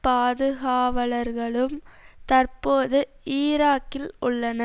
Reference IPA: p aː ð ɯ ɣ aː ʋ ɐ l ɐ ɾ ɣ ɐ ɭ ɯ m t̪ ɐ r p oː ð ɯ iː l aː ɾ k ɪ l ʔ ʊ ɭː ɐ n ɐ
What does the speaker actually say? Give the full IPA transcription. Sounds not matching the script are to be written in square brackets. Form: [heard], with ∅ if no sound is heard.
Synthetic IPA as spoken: p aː ð ɯ ɣ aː ʋ ɐ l ɐ ɾ ɣ ɐ ɭ ɯ m t̪ ɐ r p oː ð ɯ iː [ɾ] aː [∅] k ɪ l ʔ ʊ ɭː ɐ n ɐ

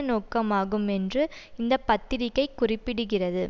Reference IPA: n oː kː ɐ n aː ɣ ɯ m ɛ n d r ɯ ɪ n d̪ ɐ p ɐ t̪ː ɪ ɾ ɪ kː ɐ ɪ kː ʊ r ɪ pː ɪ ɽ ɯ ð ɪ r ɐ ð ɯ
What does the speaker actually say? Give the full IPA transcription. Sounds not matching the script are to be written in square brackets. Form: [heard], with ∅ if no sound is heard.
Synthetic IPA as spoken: n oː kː ɐ [m] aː ɣ ɯ m ɛ n d r ɯ ɪ n d̪ ɐ p ɐ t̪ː ɪ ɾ ɪ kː ɐ ɪ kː ʊ r ɪ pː ɪ ɽ ɯ [ɣ] ɪ r ɐ ð ɯ

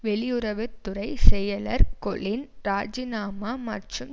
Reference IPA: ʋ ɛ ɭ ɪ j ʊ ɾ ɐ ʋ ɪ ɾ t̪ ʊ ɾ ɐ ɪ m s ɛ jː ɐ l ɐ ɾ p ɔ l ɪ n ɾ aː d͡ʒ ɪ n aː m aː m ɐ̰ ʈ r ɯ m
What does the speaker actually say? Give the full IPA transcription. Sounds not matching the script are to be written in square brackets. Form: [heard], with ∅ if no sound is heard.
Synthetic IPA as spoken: ʋ ɛ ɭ ɪ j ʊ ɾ ɐ ʋ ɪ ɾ t̪ ʊ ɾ ɐ ɪ [∅] s ɛ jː ɐ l ɐ ɾ [k] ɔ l ɪ n ɾ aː d͡ʒ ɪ n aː m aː m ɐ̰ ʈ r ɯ m

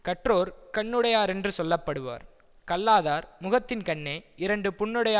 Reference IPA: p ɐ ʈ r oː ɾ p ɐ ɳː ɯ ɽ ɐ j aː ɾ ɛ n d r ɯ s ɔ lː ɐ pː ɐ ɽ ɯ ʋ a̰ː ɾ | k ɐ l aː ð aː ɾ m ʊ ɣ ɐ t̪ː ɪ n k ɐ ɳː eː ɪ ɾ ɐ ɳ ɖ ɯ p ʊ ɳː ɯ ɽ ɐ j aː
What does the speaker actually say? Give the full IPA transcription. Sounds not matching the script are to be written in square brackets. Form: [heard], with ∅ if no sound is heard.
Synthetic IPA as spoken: [k] ɐ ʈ r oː ɾ [k] ɐ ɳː ɯ ɽ ɐ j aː ɾ ɛ n d r ɯ s ɔ lː ɐ pː ɐ ɽ ɯ ʋ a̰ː ɾ | k ɐ [lː] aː ð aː ɾ m ʊ ɣ ɐ t̪ː ɪ n k ɐ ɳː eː ɪ ɾ ɐ ɳ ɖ ɯ p ʊ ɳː ɯ ɽ ɐ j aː

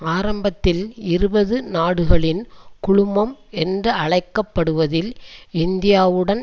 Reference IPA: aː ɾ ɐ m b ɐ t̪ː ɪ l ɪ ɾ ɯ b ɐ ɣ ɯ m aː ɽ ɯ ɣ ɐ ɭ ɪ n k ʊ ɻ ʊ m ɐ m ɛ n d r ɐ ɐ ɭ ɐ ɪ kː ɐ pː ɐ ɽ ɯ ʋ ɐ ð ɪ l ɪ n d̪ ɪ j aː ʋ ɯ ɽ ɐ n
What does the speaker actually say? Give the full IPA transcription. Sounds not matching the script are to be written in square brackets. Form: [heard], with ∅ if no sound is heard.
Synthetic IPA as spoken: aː ɾ ɐ m b ɐ t̪ː ɪ l ɪ ɾ ɯ b ɐ [ð] ɯ [n] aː ɽ ɯ ɣ ɐ ɭ ɪ n k ʊ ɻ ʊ m ɐ m ɛ n d r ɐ ɐ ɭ ɐ ɪ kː ɐ pː ɐ ɽ ɯ ʋ ɐ ð ɪ l ɪ n d̪ ɪ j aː ʋ ɯ ɽ ɐ n

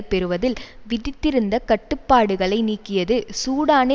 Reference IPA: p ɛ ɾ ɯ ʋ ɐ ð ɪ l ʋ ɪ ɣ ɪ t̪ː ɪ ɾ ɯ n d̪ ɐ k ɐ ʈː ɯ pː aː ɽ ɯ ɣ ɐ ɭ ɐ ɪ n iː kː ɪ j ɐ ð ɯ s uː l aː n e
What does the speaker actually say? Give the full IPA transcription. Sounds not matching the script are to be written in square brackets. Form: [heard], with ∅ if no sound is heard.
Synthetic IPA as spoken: p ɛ ɾ ɯ ʋ ɐ ð ɪ l ʋ ɪ [ð] ɪ t̪ː ɪ ɾ ɯ n d̪ ɐ k ɐ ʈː ɯ pː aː ɽ ɯ ɣ ɐ ɭ ɐ ɪ n iː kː ɪ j ɐ ð ɯ s uː [ɽ] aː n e

